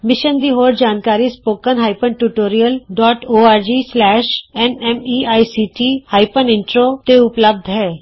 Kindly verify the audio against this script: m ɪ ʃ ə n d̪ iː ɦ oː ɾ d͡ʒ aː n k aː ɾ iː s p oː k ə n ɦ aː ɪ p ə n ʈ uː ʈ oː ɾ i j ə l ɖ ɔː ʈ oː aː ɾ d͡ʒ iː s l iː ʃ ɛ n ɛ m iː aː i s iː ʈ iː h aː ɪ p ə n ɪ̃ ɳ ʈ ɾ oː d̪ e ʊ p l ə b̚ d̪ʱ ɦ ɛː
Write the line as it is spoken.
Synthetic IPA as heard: m ɪ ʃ ə n d̪ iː ɦ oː ɾ d͡ʒ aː n k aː ɾ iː s p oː k ə n ɦ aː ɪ p ə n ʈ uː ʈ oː ɾ i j ə l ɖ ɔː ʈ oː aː ɾ d͡ʒ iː s l ɛː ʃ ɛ n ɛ m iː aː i s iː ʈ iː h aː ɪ p ə n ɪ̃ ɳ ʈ ɾ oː t̪ e ʊ p l ə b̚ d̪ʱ ɦ ɛː